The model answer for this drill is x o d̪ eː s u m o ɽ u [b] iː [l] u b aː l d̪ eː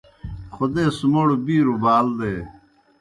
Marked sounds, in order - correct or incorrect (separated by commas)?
correct, incorrect